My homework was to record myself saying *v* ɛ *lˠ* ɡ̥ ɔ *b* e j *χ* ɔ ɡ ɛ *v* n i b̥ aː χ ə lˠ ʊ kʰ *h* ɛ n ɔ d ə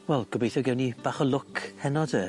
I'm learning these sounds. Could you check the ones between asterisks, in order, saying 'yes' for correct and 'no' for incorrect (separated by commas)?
no, yes, yes, no, no, yes